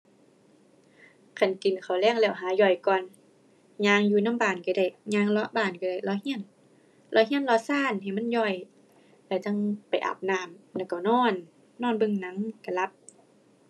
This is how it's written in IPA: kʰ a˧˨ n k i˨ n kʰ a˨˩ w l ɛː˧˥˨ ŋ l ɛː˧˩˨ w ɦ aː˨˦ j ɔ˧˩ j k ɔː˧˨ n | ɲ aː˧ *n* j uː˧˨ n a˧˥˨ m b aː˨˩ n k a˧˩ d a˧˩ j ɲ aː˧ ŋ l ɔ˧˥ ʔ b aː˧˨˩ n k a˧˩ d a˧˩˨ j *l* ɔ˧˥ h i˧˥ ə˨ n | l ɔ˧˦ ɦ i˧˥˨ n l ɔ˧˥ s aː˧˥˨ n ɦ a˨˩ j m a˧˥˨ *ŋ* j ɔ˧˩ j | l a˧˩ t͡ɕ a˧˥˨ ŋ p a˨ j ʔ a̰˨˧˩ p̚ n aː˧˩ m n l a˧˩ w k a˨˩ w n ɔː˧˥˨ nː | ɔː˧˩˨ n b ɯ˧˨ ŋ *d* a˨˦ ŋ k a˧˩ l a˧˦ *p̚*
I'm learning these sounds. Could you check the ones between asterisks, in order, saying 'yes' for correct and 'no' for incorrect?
no, yes, no, no, yes

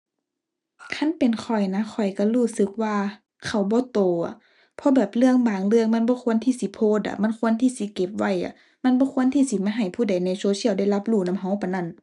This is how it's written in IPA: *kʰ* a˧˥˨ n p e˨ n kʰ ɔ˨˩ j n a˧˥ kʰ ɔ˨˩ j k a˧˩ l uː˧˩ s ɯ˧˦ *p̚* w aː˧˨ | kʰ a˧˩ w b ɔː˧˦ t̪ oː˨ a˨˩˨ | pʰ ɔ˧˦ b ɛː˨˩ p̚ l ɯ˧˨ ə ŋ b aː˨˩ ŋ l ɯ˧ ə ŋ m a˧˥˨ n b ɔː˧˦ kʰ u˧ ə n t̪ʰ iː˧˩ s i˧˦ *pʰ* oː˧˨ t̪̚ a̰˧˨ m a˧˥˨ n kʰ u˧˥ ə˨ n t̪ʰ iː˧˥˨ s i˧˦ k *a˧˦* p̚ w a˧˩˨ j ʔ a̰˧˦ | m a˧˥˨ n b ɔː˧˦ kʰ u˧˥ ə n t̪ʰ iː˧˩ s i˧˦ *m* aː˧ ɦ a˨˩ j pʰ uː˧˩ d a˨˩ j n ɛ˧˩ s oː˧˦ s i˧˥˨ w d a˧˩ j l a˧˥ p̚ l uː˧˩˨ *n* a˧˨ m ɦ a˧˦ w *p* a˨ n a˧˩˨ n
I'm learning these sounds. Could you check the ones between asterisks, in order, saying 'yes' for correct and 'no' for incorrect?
yes, no, yes, no, yes, yes, yes

